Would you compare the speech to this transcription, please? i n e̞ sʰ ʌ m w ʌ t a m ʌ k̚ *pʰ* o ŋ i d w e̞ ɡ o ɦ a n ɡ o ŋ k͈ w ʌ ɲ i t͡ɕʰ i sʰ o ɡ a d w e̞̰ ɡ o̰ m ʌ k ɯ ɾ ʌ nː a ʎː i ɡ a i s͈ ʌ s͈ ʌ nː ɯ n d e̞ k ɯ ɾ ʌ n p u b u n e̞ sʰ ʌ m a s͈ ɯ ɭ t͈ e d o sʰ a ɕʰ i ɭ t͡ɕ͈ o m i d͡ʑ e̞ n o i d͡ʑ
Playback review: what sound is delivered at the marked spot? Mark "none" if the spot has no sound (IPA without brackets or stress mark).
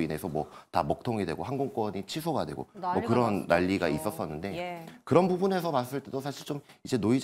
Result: tʰ